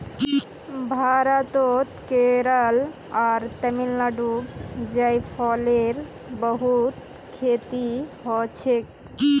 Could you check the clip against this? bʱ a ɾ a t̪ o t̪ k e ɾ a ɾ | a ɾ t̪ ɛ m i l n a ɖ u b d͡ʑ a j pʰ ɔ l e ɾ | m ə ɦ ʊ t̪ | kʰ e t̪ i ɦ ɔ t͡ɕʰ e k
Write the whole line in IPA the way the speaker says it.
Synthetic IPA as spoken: bʱ a ɾ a t̪ o t̪ k e ɾ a l | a ɾ t̪ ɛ m i l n a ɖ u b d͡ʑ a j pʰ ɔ l e ɾ | b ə ɦ u t̪ | kʰ e t̪ i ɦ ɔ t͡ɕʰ e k